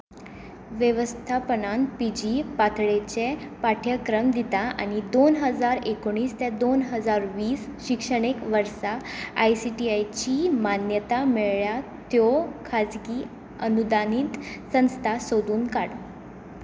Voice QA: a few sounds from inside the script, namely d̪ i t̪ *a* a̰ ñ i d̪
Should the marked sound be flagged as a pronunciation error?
no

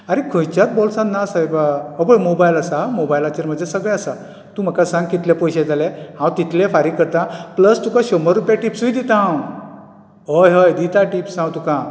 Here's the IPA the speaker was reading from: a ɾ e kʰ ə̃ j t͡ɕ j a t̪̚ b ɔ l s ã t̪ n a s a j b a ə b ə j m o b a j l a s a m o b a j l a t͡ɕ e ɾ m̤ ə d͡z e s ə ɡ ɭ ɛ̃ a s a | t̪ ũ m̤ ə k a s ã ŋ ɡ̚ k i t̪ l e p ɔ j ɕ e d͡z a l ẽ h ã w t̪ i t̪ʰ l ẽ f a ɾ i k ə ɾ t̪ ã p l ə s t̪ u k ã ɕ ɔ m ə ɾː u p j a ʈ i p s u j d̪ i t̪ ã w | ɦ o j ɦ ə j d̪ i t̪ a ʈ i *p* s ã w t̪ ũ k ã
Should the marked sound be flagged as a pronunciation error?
no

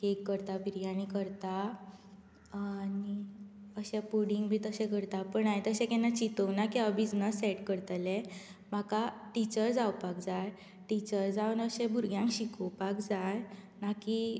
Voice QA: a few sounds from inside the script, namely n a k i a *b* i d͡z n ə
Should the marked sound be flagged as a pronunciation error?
no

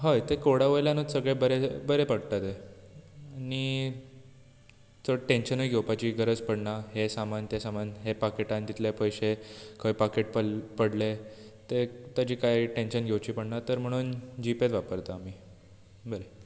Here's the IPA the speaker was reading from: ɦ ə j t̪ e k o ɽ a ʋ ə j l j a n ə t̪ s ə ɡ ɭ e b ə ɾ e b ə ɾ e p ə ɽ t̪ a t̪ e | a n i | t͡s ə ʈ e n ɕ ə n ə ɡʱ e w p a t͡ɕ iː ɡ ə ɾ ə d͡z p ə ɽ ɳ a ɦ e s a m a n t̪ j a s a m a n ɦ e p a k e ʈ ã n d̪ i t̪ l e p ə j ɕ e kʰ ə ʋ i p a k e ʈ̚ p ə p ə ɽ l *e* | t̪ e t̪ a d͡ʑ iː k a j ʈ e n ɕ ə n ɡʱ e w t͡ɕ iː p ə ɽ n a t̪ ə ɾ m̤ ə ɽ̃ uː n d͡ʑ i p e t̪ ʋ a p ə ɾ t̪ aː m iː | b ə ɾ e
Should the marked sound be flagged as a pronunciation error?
no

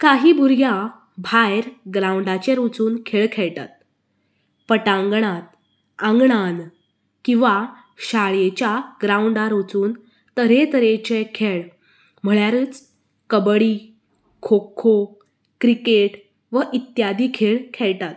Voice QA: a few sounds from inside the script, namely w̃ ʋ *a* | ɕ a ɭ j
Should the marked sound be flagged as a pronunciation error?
no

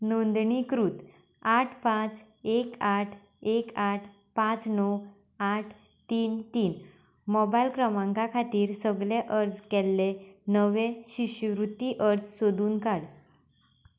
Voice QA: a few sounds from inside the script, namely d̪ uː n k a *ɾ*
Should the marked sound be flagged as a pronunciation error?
yes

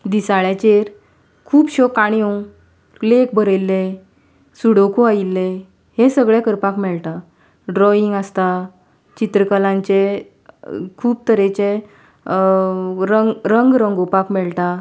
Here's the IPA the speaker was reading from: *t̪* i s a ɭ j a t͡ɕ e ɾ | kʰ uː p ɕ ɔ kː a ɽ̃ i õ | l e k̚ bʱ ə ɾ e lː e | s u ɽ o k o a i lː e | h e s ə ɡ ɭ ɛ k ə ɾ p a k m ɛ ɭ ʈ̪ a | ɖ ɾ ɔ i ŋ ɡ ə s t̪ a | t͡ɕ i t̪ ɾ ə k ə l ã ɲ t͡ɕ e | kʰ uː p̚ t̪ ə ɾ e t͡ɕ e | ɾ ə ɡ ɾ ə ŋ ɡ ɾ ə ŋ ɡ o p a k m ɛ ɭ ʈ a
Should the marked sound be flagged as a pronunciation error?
yes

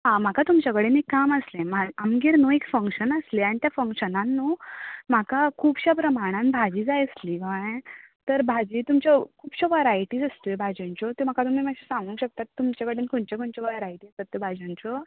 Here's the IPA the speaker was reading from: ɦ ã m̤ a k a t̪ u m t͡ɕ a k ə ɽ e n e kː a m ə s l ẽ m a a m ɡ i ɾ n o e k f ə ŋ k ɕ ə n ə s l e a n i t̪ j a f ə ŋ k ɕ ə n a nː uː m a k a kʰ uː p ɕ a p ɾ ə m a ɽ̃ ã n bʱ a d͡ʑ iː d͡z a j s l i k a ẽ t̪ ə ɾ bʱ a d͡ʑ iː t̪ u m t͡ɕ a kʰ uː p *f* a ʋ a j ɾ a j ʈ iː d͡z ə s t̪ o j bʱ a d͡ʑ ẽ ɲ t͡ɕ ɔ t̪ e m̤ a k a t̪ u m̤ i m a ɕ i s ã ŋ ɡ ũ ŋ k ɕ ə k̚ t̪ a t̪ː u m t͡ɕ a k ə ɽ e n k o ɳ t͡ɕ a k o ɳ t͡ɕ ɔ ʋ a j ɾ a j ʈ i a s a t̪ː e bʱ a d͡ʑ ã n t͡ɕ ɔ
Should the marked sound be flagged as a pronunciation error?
yes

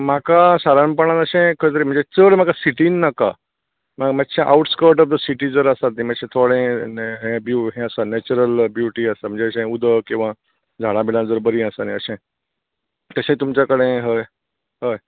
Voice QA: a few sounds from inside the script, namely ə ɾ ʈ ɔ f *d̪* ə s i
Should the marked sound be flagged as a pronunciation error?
no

